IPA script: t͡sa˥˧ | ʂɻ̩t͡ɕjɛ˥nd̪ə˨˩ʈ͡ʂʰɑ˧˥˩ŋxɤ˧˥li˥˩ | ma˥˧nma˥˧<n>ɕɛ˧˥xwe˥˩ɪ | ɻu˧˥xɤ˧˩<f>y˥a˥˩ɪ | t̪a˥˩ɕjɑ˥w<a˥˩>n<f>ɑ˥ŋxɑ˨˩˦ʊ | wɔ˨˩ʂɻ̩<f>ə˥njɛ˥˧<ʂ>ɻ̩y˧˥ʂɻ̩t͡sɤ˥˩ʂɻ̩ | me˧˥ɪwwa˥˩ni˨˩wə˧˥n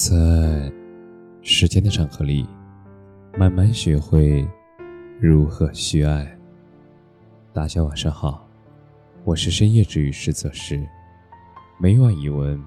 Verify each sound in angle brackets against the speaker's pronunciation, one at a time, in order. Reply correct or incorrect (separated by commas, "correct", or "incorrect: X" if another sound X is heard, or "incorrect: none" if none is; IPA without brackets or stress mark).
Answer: correct, incorrect: ɕ, incorrect: a˨˩, incorrect: ʂ, incorrect: ʂ, incorrect: ʈ͡ʂ